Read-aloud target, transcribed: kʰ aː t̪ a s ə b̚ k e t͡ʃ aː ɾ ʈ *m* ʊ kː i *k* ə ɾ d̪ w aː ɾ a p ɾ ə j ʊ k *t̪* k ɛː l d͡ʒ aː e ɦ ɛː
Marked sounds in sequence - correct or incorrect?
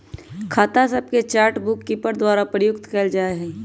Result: incorrect: b, incorrect: p, correct

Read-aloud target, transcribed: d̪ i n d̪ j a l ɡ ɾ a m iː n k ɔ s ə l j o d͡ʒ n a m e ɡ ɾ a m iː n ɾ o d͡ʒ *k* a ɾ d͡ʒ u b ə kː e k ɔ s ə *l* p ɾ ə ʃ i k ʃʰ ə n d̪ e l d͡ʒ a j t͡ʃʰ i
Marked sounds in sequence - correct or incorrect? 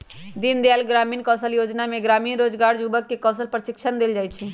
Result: incorrect: ɡ, correct

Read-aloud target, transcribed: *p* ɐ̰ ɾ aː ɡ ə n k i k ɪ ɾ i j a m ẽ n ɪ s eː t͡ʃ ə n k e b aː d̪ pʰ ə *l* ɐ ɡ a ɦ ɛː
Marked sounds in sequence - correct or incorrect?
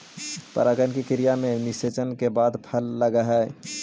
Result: correct, incorrect: lː

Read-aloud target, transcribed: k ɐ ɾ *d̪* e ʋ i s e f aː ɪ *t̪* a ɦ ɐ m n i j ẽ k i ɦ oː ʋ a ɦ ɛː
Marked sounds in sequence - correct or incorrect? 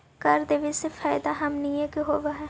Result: correct, incorrect: d̪

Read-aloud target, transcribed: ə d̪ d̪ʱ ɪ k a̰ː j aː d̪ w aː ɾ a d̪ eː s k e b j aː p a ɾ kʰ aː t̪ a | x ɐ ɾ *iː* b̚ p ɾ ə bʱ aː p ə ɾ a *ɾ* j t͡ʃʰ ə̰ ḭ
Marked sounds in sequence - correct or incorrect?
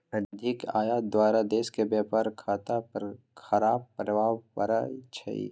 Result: incorrect: aː, incorrect: none

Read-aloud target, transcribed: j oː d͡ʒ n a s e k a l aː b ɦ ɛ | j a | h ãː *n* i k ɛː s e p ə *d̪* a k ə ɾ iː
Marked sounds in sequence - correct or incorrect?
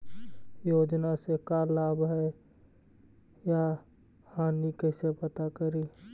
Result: correct, incorrect: t̪

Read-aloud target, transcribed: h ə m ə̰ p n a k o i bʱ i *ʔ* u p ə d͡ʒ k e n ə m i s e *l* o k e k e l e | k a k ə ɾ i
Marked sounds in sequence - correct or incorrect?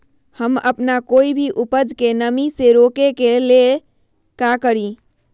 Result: correct, incorrect: ɾ

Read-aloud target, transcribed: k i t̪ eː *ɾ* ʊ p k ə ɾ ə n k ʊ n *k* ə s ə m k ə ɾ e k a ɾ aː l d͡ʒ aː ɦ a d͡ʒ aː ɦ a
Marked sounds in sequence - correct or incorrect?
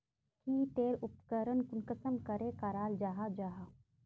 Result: correct, correct

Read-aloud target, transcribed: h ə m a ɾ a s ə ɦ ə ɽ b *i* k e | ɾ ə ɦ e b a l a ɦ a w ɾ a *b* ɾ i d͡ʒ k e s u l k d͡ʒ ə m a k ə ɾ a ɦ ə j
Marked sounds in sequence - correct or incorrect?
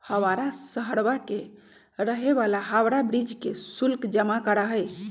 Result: incorrect: a, correct

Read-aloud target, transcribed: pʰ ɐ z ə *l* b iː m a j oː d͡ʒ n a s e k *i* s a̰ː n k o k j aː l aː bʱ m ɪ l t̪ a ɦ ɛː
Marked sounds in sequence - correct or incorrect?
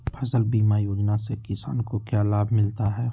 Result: correct, incorrect: ɪ

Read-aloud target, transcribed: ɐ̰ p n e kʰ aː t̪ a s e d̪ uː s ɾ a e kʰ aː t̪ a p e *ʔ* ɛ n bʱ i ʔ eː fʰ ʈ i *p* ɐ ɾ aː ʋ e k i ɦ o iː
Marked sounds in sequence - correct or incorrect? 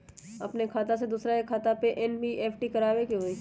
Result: correct, incorrect: k

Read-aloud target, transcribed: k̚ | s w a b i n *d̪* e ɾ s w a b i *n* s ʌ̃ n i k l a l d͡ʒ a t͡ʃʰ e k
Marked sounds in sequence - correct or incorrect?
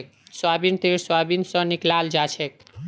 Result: incorrect: t̪, correct

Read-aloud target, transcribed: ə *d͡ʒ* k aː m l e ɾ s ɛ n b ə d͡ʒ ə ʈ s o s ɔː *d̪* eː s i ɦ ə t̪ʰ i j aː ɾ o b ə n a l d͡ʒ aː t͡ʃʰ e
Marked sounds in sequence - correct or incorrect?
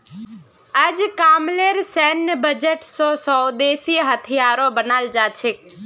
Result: correct, correct

